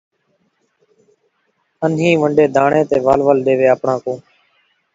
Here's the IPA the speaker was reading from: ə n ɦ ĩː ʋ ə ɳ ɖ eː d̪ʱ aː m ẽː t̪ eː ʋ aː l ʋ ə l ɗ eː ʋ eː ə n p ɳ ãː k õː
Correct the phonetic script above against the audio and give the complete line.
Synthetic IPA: ə n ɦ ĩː ʋ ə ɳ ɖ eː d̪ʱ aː ɳ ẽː t̪ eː ʋ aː l ʋ ə l ɗ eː ʋ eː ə p ɳ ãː k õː